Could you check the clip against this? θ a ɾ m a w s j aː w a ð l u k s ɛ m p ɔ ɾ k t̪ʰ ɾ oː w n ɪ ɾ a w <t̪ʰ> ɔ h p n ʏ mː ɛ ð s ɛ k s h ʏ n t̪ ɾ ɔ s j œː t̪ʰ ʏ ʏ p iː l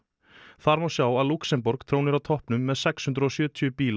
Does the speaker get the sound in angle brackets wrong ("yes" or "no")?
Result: no